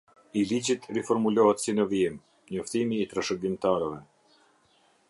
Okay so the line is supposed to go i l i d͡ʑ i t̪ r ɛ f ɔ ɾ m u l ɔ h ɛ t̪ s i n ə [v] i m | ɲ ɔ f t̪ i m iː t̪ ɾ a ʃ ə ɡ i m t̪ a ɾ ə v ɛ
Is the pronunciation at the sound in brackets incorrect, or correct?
correct